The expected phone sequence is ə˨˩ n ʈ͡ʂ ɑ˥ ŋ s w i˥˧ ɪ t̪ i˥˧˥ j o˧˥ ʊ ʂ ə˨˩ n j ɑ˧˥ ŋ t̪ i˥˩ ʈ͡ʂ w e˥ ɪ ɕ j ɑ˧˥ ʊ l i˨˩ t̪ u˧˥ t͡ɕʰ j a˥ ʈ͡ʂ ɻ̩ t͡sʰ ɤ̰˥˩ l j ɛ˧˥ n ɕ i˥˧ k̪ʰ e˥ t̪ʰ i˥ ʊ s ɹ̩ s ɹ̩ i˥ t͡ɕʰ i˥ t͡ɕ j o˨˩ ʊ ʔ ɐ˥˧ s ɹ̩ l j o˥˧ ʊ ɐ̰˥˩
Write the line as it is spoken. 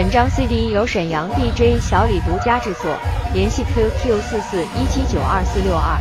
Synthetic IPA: ə˨˩ n ʈ͡ʂ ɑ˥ ŋ s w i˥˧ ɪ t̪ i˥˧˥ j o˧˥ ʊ ʂ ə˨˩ n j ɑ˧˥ ŋ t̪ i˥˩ ʈ͡ʂ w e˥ ɪ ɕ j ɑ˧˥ ʊ l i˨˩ t̪ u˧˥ t͡ɕ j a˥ ʈ͡ʂ ɻ̩ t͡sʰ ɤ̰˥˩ l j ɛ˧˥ n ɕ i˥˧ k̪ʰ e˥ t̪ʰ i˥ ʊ s ɹ̩ s ɹ̩ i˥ t͡ɕʰ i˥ t͡ɕ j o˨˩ ʊ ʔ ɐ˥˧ s ɹ̩ l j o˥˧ ʊ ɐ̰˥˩